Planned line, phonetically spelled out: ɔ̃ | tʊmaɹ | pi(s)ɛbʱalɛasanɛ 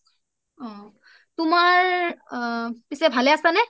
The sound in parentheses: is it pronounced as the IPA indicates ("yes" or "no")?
yes